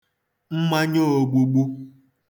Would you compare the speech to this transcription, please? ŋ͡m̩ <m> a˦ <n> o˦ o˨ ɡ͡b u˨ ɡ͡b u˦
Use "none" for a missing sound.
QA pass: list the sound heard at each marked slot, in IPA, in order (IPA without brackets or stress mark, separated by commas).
m, ɲ